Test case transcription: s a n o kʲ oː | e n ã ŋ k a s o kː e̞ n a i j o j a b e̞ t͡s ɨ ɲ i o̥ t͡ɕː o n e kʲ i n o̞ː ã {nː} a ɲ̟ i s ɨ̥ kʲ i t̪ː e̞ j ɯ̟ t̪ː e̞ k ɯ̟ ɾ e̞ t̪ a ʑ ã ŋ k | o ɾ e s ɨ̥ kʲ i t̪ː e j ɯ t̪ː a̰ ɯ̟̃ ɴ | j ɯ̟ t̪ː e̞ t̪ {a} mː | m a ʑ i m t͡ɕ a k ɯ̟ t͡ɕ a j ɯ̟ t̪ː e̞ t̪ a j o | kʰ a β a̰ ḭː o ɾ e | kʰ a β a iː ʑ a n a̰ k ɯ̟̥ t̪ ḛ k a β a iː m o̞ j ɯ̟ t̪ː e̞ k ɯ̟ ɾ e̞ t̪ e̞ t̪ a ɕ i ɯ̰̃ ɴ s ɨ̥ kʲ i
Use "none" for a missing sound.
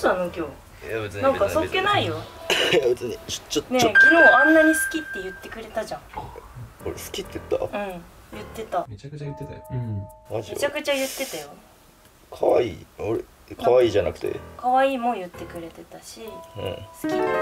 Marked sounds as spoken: nː, a

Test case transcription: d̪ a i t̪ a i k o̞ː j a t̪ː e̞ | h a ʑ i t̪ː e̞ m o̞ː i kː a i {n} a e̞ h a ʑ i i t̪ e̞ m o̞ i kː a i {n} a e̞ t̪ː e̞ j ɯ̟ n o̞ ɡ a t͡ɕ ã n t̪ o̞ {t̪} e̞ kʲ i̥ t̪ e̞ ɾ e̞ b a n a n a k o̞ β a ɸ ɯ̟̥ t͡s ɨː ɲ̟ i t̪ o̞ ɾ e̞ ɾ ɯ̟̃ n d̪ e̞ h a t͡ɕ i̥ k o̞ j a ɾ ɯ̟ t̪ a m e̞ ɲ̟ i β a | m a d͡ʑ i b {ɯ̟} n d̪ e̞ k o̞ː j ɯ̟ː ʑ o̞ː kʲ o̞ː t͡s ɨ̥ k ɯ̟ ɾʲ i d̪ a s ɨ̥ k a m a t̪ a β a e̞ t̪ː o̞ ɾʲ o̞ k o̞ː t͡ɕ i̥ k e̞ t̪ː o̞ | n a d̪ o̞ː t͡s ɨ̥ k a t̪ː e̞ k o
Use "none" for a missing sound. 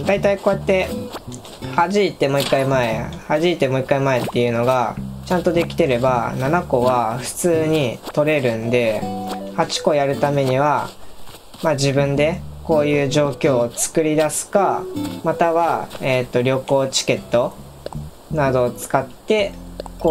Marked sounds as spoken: m, m, d̪, ɯ̟̃

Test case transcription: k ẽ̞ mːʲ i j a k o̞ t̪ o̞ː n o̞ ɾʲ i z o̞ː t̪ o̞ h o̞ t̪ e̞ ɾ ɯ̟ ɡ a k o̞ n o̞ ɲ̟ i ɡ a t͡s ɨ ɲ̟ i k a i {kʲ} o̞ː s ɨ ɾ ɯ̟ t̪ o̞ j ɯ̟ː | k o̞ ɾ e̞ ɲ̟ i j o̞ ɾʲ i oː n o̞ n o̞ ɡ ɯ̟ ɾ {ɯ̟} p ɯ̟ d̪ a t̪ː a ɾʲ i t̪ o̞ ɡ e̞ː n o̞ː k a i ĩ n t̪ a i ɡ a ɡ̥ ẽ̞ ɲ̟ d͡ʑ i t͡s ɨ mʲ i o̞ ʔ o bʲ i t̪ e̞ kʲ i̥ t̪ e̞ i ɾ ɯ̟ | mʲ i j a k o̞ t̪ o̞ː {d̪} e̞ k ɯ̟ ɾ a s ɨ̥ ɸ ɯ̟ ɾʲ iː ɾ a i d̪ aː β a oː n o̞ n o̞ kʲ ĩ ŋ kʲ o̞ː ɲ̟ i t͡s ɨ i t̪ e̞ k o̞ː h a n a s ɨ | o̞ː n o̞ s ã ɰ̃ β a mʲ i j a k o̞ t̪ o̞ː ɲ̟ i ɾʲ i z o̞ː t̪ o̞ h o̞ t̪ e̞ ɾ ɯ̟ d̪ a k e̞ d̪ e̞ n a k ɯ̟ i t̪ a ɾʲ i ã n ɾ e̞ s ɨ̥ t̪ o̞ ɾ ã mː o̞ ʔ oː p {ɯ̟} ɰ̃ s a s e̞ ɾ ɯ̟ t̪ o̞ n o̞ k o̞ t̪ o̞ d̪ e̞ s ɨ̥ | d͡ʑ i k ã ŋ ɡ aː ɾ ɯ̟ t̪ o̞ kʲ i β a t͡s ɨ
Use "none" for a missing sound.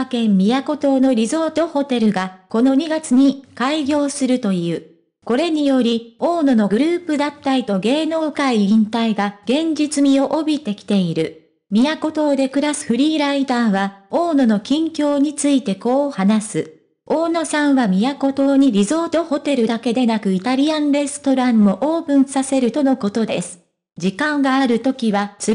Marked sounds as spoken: ɡʲ, ɯ̟ː, d̪, ɯ̟̃

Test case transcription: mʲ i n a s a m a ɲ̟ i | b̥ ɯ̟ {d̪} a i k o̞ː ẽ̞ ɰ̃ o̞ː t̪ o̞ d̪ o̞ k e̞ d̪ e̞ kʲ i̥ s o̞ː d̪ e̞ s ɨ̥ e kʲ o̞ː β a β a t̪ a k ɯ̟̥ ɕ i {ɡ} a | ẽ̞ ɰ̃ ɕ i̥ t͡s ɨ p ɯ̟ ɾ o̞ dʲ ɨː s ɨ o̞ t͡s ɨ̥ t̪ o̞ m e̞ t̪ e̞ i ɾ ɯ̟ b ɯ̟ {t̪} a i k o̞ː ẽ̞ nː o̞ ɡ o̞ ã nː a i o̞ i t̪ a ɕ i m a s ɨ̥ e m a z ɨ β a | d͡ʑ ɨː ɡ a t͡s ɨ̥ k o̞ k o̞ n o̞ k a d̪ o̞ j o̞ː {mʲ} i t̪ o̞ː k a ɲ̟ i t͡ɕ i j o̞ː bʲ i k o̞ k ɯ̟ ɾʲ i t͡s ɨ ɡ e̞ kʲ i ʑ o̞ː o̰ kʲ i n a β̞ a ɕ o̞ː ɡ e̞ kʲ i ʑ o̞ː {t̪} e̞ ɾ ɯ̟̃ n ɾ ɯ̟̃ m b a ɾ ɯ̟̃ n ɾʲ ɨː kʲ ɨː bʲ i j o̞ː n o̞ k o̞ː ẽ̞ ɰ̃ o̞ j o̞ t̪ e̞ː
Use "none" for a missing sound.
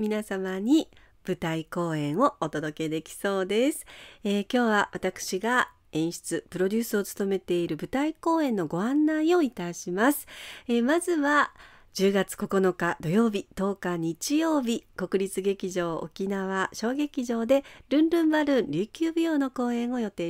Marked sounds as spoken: t̪, ɡ, t̪, bʲ, d̪

